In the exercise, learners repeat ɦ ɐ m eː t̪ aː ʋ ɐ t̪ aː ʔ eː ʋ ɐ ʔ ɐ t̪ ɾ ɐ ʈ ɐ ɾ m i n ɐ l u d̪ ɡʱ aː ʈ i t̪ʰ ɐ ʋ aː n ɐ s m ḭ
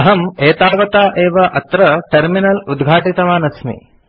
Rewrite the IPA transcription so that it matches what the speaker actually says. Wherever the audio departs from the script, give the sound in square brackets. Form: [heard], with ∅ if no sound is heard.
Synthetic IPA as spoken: ɦ ɐ m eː t̪ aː ʋ ɐ t̪ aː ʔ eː ʋ ɐ ʔ ɐ t̪ ɾ ɐ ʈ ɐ ɾ m i n ɐ l u d̪ ɡʱ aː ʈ i [t̪] ɐ ʋ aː n ɐ s m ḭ